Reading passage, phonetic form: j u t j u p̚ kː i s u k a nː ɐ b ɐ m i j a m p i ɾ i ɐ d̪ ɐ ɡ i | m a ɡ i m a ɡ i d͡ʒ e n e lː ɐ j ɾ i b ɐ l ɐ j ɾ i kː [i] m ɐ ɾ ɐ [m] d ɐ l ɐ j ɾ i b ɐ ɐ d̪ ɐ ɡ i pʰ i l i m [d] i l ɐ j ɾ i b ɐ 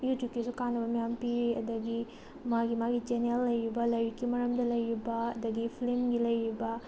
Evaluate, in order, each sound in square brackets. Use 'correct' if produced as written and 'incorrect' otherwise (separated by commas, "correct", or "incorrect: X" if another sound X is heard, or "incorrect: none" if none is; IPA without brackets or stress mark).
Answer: correct, correct, incorrect: ɡ